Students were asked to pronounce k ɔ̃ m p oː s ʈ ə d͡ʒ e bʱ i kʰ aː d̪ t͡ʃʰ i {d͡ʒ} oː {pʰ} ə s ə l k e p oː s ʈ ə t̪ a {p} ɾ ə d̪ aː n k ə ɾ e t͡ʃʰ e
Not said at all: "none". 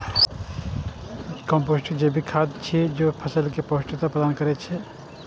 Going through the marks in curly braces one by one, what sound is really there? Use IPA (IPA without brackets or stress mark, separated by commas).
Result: d͡ʒ, pʰ, p